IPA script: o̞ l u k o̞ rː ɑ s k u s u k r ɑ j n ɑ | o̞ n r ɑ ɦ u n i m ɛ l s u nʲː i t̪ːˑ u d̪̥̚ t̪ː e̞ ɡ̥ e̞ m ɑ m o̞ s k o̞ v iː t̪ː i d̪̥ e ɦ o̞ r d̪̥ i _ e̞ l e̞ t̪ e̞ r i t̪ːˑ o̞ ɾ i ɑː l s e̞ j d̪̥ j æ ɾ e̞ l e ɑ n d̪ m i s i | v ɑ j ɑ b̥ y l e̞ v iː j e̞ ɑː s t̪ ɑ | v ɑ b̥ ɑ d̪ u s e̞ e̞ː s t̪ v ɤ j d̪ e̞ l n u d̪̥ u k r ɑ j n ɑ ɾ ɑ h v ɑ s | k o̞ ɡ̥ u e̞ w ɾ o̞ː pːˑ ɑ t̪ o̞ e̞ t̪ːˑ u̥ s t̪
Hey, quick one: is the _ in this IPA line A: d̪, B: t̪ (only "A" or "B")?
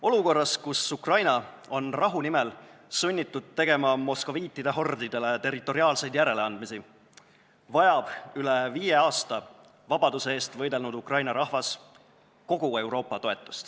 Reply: A